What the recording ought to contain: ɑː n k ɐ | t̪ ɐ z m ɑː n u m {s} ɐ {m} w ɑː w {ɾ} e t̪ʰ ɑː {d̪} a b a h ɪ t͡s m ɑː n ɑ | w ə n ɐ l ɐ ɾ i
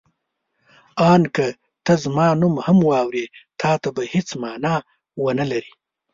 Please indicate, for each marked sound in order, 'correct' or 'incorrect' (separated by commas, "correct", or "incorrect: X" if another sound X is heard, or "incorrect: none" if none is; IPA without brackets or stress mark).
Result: incorrect: h, correct, correct, incorrect: t̪